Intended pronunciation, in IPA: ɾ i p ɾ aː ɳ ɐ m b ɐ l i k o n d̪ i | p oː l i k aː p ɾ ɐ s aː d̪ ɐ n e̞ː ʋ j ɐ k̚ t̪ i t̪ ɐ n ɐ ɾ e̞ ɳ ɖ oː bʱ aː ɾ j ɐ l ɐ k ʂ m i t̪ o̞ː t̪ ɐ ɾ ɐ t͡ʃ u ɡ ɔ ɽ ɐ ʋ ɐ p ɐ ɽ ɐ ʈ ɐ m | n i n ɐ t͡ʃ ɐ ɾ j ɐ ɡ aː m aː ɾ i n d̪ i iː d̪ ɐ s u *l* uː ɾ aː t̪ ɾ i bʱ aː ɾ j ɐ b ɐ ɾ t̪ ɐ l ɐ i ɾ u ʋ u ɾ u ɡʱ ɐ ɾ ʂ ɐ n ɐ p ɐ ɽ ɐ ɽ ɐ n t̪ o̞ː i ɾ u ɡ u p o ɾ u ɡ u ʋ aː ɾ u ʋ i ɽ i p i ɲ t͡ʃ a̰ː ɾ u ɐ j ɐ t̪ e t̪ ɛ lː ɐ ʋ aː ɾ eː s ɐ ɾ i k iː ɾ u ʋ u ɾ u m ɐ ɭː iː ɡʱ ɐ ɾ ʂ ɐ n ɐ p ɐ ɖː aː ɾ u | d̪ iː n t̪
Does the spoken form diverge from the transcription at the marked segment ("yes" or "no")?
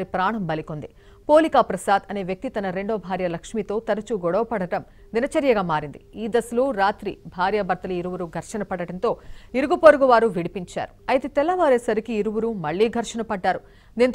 no